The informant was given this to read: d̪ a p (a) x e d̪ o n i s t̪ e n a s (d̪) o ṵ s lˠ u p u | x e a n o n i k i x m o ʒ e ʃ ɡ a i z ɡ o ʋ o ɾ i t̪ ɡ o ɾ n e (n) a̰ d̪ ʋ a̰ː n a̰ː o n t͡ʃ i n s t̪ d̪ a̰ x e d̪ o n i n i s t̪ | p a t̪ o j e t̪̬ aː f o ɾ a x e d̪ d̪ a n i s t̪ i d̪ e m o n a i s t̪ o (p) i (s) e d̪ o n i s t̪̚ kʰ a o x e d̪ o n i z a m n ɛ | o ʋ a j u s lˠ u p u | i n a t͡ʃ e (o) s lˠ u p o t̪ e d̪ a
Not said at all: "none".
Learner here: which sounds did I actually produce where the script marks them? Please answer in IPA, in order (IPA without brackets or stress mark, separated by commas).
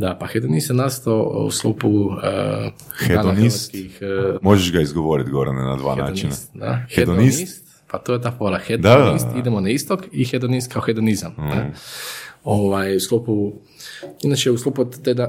a, t̪, n, k, x, u